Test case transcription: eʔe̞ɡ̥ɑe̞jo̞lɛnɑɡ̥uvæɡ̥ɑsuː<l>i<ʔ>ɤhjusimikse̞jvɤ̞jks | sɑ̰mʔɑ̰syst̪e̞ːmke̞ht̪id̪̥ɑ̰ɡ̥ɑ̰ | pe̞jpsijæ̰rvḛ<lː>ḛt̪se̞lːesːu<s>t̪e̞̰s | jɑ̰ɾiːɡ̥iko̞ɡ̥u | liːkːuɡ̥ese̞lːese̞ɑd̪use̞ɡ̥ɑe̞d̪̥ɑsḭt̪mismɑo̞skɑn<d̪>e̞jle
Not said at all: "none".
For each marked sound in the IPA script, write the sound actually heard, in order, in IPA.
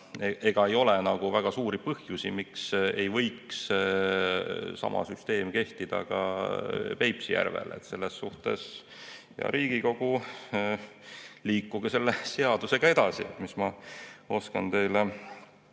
ɾ, p, l, h, t̪

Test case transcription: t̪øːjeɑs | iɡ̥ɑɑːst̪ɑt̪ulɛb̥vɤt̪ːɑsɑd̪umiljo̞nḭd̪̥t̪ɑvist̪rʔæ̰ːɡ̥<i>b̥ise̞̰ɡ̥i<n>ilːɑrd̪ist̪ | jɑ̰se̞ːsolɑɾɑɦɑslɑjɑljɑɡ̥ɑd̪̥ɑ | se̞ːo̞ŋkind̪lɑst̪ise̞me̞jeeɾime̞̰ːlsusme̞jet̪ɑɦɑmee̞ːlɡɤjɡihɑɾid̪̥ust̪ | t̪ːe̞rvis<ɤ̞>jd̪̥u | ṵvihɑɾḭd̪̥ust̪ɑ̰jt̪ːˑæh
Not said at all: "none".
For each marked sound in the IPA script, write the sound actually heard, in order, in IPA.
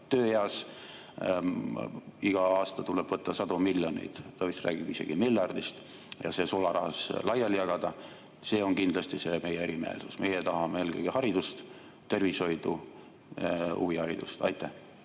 i, m, o̞

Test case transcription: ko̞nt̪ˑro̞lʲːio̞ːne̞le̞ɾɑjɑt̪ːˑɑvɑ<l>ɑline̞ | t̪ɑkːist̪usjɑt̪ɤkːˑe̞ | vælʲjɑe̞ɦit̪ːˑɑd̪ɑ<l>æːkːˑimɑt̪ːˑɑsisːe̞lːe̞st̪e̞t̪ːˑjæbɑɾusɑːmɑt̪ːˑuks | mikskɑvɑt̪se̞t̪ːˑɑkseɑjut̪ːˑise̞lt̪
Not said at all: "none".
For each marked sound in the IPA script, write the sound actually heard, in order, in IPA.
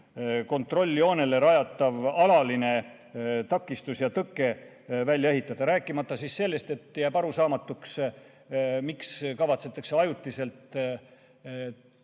l, ɾ

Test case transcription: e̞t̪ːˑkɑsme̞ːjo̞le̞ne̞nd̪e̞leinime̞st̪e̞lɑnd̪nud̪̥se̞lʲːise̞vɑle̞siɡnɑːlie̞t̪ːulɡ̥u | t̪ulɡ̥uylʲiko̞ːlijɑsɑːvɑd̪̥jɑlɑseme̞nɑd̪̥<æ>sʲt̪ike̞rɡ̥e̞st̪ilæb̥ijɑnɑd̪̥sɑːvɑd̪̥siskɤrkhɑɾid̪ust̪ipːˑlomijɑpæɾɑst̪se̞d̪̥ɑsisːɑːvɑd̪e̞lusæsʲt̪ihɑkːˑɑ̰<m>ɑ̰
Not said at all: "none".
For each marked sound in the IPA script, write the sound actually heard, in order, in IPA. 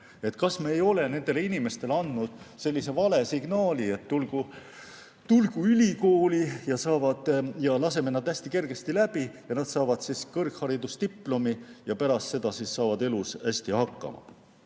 æ, m

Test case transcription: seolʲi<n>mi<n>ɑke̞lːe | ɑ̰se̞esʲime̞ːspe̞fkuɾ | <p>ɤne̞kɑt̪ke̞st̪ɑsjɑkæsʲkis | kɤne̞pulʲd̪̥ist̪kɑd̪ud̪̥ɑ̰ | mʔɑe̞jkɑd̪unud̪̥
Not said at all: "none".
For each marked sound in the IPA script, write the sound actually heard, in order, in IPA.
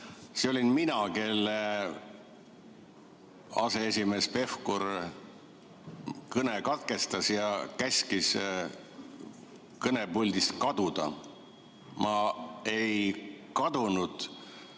n, n, k

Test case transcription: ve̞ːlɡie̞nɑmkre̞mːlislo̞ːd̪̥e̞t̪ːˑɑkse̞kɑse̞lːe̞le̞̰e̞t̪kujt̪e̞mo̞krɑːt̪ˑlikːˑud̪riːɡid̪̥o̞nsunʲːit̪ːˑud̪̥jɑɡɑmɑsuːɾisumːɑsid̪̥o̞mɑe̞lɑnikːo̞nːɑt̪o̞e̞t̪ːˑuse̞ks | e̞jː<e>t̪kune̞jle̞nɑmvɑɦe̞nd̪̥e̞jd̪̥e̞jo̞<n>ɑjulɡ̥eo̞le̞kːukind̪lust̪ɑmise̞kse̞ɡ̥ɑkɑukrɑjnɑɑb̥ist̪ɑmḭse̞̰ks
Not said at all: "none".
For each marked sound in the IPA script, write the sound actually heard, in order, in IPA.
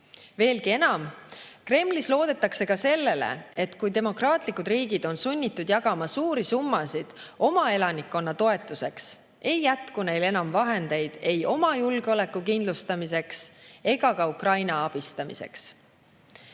æ, m

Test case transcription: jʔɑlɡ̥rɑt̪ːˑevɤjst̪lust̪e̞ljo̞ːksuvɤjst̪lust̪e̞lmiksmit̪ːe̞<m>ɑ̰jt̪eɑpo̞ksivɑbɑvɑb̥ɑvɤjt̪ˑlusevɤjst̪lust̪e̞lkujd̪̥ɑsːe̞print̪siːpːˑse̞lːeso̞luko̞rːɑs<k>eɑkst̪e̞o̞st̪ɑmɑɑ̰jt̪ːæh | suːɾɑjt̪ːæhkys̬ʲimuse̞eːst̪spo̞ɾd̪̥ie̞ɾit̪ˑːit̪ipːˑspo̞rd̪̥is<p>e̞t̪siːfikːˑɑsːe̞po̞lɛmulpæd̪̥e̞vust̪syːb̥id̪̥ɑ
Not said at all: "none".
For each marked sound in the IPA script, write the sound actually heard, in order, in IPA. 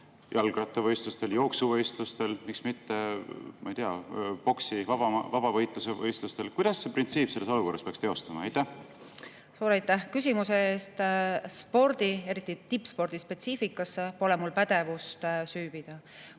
m, p, p

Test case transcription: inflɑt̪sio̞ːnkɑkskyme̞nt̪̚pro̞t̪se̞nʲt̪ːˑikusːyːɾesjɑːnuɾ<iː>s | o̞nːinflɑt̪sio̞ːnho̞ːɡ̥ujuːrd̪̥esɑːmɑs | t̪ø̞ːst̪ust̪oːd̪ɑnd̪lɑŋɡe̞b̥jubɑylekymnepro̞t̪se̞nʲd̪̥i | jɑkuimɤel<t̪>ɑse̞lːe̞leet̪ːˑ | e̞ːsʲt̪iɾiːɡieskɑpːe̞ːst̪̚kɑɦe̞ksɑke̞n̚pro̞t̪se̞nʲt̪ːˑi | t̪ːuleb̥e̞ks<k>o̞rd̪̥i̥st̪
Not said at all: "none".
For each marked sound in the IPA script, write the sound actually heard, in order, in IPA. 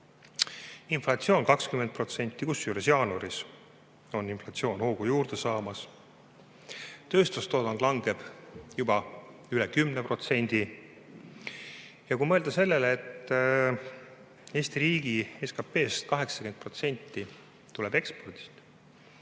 i, d̪, p

